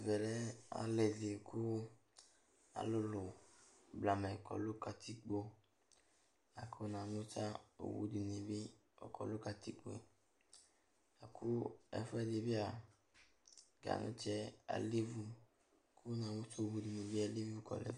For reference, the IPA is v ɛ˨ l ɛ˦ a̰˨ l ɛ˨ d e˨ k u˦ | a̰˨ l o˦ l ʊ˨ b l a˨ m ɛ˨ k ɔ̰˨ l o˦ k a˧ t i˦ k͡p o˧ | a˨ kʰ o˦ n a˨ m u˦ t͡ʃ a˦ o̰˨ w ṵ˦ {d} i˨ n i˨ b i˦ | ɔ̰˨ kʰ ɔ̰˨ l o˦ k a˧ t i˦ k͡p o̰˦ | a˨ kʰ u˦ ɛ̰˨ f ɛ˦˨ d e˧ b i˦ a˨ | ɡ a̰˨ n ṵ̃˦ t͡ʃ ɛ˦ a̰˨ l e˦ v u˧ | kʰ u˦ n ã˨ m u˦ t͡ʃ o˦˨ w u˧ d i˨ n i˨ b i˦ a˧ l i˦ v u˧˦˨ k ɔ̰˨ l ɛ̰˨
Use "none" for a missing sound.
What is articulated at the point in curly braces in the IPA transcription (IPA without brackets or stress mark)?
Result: d